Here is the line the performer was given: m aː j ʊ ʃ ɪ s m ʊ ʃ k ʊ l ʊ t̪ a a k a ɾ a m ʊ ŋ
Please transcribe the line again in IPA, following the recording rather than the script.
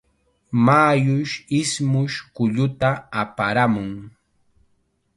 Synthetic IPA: m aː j ʊ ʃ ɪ s m ʊ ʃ k ʊ ʎ ʊ t̪ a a p a ɾ a m ʊ ŋ